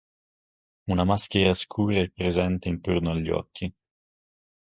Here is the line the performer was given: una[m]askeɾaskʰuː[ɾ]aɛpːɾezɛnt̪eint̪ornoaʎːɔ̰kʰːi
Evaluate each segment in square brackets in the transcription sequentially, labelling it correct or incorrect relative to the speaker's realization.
correct, correct

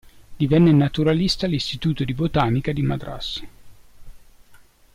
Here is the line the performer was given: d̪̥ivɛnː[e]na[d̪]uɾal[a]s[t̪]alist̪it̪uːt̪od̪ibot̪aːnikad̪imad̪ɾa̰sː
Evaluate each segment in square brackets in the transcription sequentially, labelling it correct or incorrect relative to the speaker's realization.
correct, incorrect: t̪, incorrect: i, correct

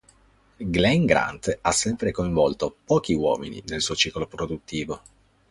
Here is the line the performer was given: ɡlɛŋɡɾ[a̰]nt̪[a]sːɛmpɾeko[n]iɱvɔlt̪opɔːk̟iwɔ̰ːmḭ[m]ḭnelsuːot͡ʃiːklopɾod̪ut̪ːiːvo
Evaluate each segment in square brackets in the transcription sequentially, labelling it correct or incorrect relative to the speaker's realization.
correct, correct, incorrect: none, incorrect: n

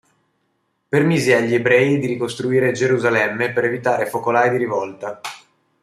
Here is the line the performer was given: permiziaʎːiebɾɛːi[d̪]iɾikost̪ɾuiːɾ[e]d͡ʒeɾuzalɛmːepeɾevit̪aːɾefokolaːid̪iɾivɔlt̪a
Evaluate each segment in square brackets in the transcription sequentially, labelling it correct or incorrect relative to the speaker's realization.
correct, correct

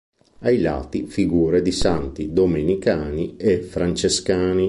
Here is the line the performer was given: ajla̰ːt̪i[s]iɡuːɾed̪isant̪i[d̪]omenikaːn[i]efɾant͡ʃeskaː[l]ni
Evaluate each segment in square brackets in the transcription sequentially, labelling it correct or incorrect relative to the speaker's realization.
incorrect: f, correct, correct, incorrect: none

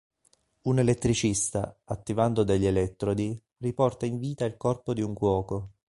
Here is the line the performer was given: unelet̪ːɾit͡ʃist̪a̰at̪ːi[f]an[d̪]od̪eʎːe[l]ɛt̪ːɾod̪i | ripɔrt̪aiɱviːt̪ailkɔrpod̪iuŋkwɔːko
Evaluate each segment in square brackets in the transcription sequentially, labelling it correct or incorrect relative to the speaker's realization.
incorrect: v, correct, correct

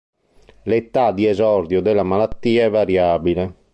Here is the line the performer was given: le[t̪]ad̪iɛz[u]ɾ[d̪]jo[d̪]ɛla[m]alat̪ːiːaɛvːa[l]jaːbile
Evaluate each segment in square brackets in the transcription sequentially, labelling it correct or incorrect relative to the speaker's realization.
correct, incorrect: ɔ, correct, correct, correct, incorrect: ɾ

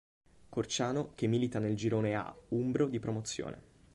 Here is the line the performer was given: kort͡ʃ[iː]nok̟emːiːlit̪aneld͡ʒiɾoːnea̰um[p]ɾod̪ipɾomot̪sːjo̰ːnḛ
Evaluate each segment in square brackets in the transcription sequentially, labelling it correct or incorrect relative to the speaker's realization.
incorrect: aː, incorrect: b

